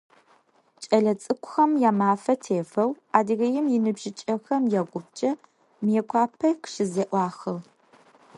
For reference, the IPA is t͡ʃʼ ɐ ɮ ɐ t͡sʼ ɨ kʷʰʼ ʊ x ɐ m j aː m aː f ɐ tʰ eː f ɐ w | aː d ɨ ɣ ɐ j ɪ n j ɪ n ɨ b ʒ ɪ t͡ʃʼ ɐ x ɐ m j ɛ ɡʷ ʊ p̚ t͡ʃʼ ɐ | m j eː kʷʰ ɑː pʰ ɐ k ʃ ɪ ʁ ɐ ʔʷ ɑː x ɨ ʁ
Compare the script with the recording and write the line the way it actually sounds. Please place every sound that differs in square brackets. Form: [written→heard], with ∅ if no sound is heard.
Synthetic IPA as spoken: t͡ʃʼ ɐ ɮ ɐ t͡sʼ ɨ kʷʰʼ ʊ x ɐ m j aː m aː f ɐ tʰ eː f ɐ w | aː d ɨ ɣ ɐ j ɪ [n→m] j ɪ n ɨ b ʒ ɪ t͡ʃʼ ɐ x ɐ m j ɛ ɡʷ ʊ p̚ t͡ʃʼ ɐ | m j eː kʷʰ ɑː pʰ ɐ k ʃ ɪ [ʁ→z] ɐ ʔʷ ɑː x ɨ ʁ